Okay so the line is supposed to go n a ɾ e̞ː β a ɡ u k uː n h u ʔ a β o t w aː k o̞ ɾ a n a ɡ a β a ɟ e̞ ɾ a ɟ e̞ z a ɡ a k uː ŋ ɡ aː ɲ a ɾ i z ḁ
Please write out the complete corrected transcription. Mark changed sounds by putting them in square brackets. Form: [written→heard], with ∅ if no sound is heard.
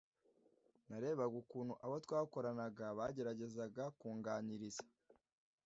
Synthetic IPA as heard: n a ɾ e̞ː β a ɡ u k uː n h u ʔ a β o t w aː k o̞ ɾ a n a ɡ a β a ɟ e̞ ɾ a ɟ e̞ z a ɡ a k uː ŋ ɡ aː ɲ [a→i] ɾ i z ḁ